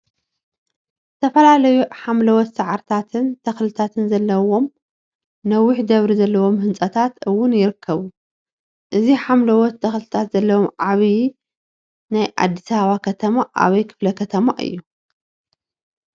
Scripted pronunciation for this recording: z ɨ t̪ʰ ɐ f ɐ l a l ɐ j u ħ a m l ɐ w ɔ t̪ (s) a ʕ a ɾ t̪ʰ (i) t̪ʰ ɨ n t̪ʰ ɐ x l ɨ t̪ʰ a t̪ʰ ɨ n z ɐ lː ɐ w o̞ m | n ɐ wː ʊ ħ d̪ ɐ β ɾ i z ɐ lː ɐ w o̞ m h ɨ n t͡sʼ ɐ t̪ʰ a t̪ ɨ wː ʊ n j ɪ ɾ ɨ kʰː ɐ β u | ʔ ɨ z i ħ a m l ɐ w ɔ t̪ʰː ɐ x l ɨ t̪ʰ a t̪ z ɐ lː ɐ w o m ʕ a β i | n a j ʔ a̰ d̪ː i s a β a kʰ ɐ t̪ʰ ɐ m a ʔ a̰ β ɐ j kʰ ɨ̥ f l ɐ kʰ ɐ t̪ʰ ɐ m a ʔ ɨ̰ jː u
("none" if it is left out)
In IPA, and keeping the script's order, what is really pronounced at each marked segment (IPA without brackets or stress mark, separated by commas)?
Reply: s, a